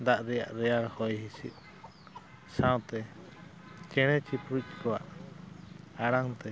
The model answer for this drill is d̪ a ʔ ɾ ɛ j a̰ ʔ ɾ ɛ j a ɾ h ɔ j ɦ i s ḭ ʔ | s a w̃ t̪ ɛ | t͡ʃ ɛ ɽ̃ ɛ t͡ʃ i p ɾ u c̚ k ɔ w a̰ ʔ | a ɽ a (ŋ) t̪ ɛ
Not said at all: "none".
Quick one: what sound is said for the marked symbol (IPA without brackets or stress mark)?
ŋ